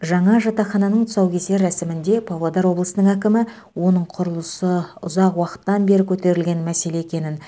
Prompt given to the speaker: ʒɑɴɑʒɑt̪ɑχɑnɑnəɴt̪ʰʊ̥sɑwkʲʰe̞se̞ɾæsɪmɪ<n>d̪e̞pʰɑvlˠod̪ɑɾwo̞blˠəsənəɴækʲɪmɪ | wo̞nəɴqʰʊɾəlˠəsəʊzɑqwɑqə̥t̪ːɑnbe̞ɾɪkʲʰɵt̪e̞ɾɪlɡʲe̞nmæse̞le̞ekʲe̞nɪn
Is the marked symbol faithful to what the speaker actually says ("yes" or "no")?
yes